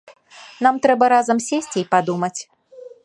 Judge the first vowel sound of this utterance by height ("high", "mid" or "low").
low